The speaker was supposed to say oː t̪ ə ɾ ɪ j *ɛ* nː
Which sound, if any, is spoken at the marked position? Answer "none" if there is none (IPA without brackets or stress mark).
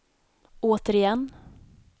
ɛ